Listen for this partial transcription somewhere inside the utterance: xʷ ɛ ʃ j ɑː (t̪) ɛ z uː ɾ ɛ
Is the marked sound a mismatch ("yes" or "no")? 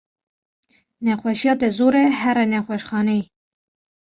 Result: no